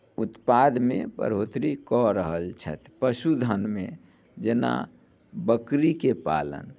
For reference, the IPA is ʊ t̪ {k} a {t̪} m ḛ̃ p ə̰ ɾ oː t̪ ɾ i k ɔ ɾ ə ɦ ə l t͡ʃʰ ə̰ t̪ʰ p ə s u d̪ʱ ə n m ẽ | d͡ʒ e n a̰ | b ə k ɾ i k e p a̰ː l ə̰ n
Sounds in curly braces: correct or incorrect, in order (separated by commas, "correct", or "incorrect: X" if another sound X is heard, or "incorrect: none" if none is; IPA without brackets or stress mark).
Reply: incorrect: p, incorrect: d̪